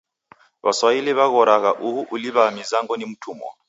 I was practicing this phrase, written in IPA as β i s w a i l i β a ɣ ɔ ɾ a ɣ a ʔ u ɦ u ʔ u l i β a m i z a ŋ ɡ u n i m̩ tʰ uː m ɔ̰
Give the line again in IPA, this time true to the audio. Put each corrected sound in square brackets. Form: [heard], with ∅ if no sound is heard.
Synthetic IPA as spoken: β [a] s w a i l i β a ɣ ɔ ɾ a ɣ a ʔ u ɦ u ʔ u l i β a m i z a ŋ ɡ [ɔ] n i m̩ tʰ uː m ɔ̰

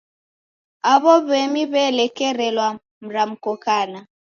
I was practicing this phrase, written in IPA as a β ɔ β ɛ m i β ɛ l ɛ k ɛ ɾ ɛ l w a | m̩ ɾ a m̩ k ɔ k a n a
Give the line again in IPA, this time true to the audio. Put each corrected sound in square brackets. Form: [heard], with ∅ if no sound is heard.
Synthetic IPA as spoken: a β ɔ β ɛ m i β ɛ l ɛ k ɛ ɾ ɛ l w a | m̩ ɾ a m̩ k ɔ k a n a

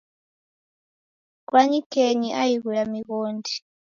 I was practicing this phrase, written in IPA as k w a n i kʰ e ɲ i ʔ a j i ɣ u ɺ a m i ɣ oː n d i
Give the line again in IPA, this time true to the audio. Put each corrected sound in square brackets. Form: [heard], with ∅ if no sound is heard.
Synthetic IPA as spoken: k w a [ɲ] i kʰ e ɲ i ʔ a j i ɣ u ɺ a m i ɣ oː n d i

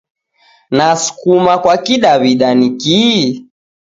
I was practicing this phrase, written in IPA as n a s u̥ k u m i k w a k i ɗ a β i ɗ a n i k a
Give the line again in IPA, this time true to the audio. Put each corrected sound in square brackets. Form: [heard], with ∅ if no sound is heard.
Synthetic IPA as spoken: n a s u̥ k u m [a] k w a k i ɗ a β i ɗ a n i k [i]

